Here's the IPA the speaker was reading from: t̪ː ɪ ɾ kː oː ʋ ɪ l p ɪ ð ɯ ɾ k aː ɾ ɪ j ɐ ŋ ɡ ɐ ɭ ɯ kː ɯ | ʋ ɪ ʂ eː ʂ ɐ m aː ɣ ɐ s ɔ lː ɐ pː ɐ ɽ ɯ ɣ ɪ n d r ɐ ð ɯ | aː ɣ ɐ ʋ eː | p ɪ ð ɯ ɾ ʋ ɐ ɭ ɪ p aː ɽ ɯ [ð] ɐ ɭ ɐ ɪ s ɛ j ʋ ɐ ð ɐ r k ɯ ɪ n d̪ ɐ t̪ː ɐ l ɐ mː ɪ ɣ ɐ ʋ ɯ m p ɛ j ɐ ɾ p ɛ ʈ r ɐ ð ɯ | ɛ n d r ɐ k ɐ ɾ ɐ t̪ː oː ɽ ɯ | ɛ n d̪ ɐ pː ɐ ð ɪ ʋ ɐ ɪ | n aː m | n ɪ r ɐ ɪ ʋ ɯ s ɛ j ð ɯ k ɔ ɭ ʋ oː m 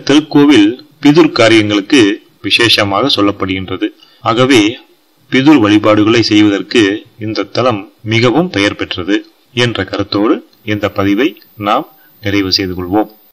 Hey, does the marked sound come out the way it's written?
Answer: no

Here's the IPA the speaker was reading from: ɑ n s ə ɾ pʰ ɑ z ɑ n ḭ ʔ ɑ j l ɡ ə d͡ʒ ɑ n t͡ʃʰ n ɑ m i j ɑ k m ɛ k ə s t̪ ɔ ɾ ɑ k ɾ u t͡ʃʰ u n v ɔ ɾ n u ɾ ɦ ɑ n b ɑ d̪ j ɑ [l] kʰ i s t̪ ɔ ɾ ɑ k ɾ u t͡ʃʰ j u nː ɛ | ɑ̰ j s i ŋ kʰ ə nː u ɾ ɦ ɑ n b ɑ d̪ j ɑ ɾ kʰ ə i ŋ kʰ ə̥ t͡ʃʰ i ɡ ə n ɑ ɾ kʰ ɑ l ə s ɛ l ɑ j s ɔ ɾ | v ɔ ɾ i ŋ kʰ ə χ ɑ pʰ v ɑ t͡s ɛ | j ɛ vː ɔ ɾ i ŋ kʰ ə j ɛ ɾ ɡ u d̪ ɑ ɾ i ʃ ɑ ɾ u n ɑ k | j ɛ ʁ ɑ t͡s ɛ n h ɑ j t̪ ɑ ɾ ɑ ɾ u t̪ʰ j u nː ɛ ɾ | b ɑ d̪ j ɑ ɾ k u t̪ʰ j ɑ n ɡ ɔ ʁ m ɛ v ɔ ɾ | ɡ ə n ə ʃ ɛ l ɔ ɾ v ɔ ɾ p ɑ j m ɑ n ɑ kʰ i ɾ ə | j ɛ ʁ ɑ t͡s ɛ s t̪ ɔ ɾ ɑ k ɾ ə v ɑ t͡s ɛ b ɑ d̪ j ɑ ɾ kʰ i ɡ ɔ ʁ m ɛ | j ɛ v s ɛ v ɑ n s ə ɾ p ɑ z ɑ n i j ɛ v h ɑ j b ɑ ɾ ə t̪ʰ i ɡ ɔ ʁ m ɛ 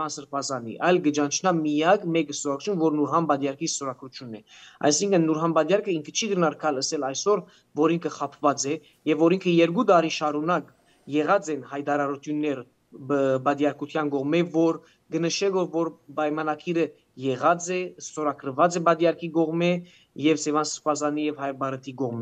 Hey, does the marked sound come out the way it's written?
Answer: no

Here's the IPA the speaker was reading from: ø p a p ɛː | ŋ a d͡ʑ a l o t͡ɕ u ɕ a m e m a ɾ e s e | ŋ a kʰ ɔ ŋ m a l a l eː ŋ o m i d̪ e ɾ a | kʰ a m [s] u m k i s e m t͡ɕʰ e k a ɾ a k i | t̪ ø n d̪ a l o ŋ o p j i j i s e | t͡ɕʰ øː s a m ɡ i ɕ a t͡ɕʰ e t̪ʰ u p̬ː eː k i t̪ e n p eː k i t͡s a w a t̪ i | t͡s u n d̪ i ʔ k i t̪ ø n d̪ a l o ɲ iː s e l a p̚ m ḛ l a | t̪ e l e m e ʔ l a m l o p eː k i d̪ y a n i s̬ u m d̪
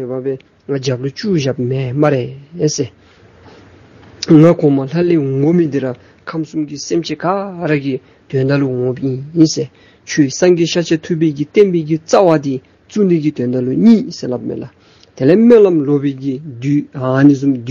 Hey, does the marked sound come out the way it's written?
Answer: yes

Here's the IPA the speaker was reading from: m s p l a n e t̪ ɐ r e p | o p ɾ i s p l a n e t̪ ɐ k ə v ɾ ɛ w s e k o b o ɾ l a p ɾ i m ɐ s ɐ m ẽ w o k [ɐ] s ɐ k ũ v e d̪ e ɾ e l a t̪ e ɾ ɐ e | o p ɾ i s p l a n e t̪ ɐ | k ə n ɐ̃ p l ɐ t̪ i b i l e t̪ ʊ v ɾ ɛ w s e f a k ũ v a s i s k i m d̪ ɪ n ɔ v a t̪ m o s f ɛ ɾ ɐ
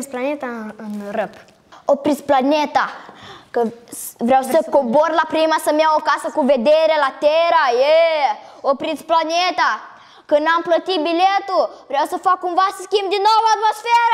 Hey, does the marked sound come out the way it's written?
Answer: no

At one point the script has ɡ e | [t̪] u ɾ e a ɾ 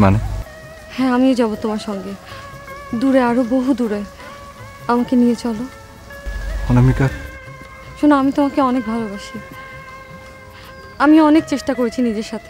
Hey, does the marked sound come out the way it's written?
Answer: no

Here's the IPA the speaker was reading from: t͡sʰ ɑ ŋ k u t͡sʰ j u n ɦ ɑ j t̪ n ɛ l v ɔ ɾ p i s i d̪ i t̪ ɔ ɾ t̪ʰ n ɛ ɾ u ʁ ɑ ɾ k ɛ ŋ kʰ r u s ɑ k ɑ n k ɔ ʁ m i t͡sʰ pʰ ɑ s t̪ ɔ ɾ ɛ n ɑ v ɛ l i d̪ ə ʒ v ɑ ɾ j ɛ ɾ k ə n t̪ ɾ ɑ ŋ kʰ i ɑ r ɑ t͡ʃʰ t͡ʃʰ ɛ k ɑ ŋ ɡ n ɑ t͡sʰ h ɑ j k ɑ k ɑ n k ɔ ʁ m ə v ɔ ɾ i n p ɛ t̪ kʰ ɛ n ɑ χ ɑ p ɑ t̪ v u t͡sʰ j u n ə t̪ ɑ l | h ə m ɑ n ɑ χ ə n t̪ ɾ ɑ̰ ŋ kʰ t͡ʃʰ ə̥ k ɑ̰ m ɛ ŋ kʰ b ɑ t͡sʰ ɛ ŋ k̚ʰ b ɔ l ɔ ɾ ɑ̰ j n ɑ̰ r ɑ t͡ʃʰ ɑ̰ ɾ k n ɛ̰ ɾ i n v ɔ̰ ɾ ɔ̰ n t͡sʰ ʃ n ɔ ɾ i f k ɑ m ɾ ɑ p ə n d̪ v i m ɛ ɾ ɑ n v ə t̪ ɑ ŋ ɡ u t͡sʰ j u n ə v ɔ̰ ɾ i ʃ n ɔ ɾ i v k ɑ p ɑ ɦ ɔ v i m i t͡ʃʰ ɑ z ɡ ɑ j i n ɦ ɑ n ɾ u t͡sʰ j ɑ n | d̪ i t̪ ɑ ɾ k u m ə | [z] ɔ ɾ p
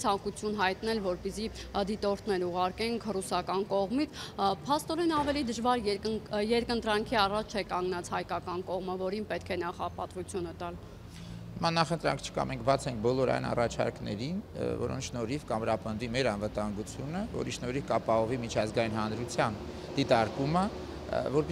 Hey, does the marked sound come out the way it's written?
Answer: no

